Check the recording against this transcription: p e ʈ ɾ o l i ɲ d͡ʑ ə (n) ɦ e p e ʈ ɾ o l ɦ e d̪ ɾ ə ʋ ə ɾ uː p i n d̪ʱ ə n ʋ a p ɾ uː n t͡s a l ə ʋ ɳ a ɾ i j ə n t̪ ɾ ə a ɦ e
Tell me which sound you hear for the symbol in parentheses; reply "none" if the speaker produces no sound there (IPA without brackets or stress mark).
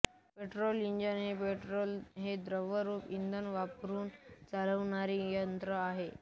n